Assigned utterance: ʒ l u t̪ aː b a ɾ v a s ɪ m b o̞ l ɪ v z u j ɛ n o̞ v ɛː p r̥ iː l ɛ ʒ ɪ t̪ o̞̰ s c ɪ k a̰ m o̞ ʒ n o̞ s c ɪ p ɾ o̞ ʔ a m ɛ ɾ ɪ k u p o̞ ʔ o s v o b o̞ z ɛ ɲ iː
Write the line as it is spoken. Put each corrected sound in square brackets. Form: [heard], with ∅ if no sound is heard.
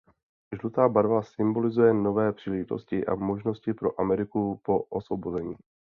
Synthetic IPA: ʒ l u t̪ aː b a ɾ v a s ɪ m b o̞ l ɪ [∅] z u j ɛ n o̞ v ɛː p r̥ iː l ɛ ʒ ɪ t̪ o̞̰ s c ɪ [ʔ] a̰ m o̞ ʒ n o̞ s c ɪ p ɾ o̞ ʔ a m ɛ ɾ ɪ k u p o̞ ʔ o s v o b o̞ z ɛ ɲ iː